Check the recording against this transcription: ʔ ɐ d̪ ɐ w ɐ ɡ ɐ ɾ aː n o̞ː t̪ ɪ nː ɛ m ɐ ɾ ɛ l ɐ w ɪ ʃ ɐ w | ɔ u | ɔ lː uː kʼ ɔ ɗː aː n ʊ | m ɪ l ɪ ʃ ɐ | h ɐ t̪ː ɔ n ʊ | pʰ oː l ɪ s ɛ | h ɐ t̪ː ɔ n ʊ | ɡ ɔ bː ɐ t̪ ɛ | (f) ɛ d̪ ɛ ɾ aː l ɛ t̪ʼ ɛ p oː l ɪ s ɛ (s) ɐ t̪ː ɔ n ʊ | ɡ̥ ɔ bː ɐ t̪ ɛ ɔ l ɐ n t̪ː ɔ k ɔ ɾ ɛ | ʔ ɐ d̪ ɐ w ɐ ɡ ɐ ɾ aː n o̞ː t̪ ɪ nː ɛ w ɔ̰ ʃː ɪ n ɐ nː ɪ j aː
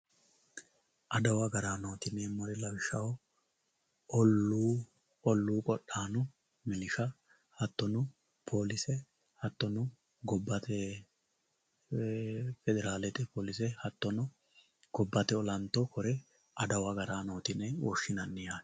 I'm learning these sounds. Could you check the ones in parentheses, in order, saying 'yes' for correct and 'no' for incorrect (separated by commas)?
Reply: yes, no